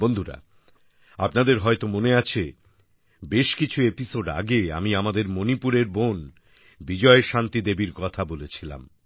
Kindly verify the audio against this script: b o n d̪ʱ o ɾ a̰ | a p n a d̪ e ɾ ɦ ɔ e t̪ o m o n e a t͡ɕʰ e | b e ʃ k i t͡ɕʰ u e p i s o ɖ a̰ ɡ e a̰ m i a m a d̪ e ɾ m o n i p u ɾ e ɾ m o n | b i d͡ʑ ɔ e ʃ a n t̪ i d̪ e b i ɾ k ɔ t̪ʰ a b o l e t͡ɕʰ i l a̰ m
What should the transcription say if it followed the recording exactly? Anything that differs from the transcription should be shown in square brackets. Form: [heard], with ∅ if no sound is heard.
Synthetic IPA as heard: b o n d̪ʱ [u] ɾ a̰ | a p n a d̪ e ɾ ɦ ɔ e t̪ o m o n e a t͡ɕʰ e | b e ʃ k i t͡ɕʰ u e p i s o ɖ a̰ ɡ e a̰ m i a m a d̪ e ɾ m o n i p u ɾ e ɾ [b] o n | b i d͡ʑ ɔ e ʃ a n t̪ i d̪ e b i ɾ k ɔ t̪ʰ a b o l e t͡ɕʰ i l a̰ m

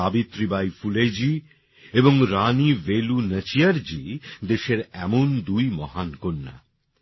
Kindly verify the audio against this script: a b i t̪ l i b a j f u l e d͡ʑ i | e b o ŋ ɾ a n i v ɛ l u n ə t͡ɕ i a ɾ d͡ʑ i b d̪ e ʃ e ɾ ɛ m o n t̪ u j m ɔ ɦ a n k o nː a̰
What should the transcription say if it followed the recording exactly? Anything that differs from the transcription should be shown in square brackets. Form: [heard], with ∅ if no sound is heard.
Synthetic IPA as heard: a b i t̪ [ɾ] i b a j f u l e d͡ʑ i | e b o ŋ ɾ a n i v [e] l u n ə t͡ɕ i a ɾ d͡ʑ i [∅] d̪ e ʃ e ɾ ɛ m o n [d̪] u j m ɔ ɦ a n k o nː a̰

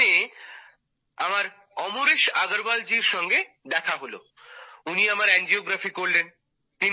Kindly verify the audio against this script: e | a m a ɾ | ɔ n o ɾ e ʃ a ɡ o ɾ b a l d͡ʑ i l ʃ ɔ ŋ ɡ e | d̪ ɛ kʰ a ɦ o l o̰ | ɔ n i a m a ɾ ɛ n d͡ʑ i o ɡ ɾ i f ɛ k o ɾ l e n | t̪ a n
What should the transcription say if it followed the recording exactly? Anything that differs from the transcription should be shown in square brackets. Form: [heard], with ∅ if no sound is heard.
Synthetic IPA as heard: e | a m a ɾ | ɔ [m] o ɾ e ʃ a ɡ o ɾ b a l d͡ʑ i [ɾ] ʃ ɔ ŋ ɡ e | d̪ ɛ kʰ a ɦ o l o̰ | [u] n i a m a ɾ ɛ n d͡ʑ i o ɡ ɾ [a] f [i] k o ɾ l e n | t̪ [i] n

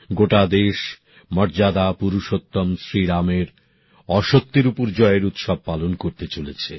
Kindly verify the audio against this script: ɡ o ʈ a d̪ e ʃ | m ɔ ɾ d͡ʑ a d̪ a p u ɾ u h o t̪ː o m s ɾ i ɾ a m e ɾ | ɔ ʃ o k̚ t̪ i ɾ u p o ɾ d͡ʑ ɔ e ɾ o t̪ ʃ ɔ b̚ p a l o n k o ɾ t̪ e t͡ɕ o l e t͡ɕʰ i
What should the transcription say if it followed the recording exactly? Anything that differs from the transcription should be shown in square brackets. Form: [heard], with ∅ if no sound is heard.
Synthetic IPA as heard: ɡ o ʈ a d̪ e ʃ | m ɔ ɾ d͡ʑ a d̪ a p u ɾ u [ʃ] o t̪ː o m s ɾ i ɾ a m e ɾ | ɔ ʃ o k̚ t̪ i ɾ u p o ɾ d͡ʑ ɔ e ɾ [u] t̪ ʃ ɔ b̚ p a l o n k o ɾ t̪ e t͡ɕ o l e t͡ɕʰ [e]

